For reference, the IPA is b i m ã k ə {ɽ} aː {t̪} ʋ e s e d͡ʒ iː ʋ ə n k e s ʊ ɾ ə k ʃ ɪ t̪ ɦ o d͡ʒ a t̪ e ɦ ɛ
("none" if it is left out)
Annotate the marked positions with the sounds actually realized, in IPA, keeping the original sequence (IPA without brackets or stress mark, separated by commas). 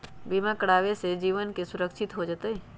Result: ɽ, none